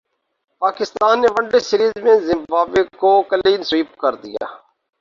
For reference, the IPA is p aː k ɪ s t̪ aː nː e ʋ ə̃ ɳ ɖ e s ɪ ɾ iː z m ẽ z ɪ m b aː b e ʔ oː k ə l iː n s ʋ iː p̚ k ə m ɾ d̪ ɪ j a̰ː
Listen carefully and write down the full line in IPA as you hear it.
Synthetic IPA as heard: p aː k ɪ s t̪ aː nː e ʋ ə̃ ɳ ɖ e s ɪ ɾ iː z m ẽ z ɪ m b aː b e k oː k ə l iː n s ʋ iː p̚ k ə ɾ d̪ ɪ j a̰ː